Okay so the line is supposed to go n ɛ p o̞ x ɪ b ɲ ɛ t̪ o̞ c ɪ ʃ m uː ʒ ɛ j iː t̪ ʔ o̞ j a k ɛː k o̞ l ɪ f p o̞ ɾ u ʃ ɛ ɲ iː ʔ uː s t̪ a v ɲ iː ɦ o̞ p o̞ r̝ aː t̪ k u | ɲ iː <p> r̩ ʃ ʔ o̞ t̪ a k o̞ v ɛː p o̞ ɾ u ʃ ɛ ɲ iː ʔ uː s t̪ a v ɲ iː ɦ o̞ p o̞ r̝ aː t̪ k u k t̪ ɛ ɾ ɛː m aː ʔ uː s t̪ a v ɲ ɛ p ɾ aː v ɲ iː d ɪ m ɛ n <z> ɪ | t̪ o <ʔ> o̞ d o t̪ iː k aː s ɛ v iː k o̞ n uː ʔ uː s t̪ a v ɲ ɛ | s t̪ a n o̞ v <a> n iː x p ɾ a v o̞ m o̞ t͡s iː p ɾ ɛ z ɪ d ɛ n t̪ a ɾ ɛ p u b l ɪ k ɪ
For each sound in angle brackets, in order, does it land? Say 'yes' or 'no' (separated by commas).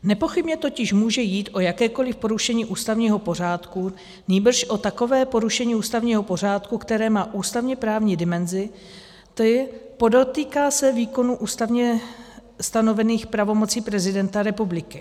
no, yes, no, no